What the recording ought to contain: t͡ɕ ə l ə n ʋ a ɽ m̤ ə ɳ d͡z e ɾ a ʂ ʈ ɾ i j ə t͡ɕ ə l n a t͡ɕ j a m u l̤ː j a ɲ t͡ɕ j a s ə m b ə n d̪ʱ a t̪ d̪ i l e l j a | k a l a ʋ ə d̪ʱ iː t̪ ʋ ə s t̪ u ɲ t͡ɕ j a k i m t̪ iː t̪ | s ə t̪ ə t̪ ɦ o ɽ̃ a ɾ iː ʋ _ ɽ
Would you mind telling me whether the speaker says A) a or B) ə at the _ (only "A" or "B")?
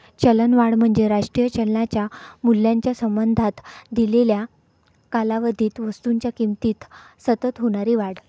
A